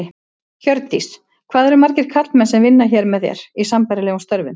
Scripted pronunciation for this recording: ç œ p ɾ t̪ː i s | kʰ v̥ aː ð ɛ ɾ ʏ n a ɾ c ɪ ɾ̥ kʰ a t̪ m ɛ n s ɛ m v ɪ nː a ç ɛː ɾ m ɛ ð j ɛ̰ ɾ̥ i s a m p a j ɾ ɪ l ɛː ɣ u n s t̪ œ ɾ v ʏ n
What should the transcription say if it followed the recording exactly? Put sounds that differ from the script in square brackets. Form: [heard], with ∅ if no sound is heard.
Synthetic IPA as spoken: ç œ [∅] ɾ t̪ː i s | kʰ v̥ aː ð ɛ ɾ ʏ [m] a ɾ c ɪ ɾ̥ kʰ a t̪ m ɛ n s ɛ m v ɪ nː a ç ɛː ɾ m ɛ ð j ɛ̰ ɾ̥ i s a m p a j ɾ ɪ l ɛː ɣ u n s t̪ œ ɾ v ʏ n